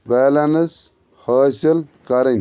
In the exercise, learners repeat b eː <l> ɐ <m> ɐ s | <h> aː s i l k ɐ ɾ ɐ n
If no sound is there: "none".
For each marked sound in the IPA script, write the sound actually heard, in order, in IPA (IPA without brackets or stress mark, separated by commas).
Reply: l, n, h